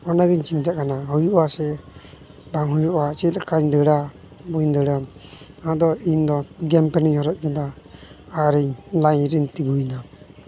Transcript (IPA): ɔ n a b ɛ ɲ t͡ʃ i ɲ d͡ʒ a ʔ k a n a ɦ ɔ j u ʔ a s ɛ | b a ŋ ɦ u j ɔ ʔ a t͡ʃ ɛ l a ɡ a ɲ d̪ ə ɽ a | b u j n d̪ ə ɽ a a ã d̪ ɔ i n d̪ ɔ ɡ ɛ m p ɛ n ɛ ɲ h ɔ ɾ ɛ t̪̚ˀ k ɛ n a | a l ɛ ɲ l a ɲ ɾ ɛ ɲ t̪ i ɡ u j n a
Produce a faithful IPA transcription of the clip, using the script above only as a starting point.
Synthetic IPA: ɔ n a ɡ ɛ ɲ t͡ʃ i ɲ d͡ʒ a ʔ k a n a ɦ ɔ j u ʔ a s ɛ | b a ŋ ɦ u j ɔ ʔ a t͡ʃ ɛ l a k a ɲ d̪ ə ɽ a | b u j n d̪ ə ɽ a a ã d̪ ɔ i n d̪ ɔ ɡ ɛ m p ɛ n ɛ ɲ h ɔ ɾ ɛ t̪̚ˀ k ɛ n a | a ɾ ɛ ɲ l a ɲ ɾ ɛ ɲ t̪ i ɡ u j n a